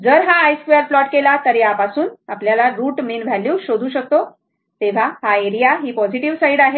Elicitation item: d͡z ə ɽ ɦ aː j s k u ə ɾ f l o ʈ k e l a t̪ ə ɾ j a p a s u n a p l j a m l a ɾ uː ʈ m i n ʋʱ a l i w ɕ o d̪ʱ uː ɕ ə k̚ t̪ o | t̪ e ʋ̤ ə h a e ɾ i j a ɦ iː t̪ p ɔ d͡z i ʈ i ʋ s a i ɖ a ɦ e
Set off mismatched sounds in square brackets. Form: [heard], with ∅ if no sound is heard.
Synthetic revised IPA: d͡z ə [ɾ] ɦ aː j s k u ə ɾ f l [ɔ] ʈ k e l a t̪ ə ɾ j a p a s [uː] n a p l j a [∅] l a ɾ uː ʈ m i n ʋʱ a l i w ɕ o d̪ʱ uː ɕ ə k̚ t̪ o | t̪ e ʋ̤ [a] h a e ɾ i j a ɦ iː [∅] p ɔ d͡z i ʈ i ʋ s a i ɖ a ɦ e